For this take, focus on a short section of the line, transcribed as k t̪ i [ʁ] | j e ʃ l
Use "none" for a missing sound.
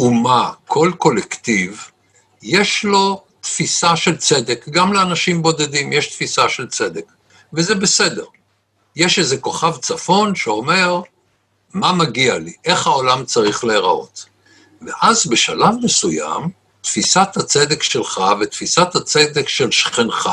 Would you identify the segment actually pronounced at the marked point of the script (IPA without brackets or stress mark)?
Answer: v